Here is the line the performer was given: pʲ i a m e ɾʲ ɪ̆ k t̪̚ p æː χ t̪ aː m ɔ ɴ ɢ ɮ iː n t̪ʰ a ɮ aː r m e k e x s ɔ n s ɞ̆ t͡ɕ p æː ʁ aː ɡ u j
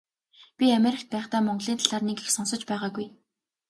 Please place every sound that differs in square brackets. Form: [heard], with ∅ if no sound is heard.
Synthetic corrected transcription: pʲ i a m e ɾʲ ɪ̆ k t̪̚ p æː χ t̪ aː m ɔ ɴ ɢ ɮ iː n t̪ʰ a ɮ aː r [n] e k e x s ɔ n s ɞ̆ t͡ɕ p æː ʁ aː ɡ u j